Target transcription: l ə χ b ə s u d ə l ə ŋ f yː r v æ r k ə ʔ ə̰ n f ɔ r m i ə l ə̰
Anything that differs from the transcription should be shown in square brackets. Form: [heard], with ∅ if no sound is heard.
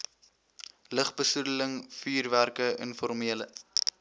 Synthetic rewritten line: l ə χ b ə s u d ə l ə ŋ f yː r v æ r k ə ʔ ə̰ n f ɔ r m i ə l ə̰